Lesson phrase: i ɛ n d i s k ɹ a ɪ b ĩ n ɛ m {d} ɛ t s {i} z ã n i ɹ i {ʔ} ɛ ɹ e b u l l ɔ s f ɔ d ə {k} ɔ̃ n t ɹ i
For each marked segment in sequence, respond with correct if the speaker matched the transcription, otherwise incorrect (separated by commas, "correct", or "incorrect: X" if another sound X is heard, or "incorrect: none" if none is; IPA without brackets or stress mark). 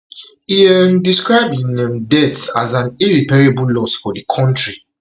correct, incorrect: a, incorrect: p, incorrect: kʰ